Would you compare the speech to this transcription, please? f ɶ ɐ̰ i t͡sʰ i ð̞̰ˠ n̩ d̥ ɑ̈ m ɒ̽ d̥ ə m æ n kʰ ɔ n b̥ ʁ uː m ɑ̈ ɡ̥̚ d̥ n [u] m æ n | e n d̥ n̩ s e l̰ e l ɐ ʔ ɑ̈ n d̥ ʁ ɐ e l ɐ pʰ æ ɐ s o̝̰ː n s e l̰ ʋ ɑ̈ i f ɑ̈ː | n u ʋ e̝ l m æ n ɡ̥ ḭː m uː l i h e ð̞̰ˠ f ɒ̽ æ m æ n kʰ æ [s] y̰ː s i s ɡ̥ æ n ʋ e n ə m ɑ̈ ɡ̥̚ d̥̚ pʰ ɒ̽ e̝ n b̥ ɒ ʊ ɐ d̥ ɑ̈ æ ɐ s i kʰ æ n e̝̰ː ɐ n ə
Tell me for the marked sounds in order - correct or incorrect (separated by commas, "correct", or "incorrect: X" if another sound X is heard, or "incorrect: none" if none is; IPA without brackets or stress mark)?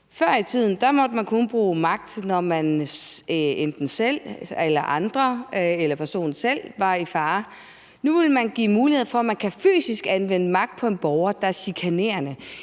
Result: incorrect: ɒ, incorrect: f